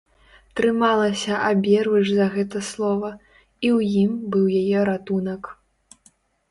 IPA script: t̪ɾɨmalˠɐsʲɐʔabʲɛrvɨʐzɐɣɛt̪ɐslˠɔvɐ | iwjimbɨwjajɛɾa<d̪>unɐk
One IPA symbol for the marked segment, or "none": t̪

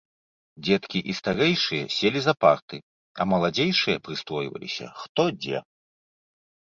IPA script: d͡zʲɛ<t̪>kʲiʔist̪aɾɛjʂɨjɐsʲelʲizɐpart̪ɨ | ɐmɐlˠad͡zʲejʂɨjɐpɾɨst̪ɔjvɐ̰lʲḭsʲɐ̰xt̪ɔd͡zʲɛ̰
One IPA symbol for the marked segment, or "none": t̪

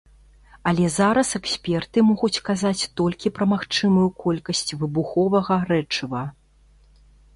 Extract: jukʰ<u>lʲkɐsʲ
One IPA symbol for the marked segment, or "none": ɔ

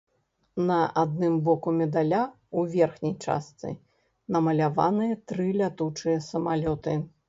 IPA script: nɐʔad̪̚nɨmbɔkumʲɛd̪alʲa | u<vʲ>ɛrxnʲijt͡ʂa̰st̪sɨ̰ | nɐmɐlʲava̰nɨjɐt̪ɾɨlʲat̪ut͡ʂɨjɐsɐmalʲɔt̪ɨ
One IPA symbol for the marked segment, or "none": vʲ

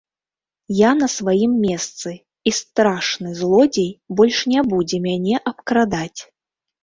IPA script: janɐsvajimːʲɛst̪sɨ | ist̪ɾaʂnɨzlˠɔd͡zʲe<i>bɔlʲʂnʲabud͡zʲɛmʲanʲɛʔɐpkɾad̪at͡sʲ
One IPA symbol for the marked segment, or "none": j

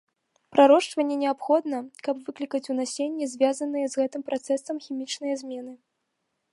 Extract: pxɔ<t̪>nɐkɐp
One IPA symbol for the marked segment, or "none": d̪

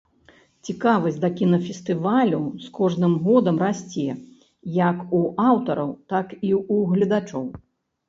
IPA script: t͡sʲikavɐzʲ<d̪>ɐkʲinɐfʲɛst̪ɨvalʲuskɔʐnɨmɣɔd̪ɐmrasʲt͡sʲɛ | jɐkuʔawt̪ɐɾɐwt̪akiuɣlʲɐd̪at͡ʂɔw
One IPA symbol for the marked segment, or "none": d̪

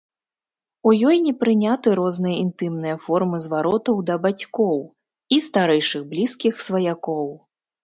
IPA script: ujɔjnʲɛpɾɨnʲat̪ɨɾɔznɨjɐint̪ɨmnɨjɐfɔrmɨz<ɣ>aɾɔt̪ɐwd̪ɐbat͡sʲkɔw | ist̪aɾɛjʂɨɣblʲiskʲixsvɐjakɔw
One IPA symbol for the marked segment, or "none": v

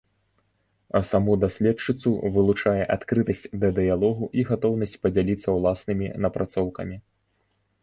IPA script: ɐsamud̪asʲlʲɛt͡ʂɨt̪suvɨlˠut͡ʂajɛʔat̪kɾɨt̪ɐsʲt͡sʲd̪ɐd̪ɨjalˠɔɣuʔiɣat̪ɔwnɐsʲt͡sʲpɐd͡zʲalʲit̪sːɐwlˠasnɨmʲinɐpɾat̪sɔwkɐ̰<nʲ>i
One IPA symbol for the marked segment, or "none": mʲ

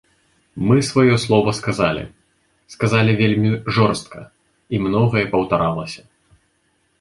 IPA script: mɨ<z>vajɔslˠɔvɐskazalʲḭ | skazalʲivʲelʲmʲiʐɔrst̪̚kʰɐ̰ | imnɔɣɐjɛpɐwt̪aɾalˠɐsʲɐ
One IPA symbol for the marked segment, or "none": s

